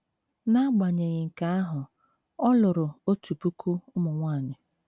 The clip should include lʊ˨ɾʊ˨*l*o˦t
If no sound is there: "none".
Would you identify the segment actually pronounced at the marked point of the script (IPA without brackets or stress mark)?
none